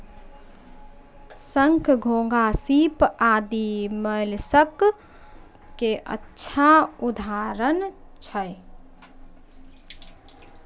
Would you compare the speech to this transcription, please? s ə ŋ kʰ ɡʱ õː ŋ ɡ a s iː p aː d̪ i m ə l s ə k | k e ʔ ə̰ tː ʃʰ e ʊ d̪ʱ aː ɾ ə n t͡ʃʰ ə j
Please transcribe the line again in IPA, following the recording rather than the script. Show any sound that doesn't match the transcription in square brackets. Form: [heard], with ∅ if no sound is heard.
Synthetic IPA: s ə ŋ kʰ ɡʱ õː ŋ ɡ a s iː p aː d̪ i m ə l s ə k | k e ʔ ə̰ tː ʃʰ [a] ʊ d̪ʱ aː ɾ ə n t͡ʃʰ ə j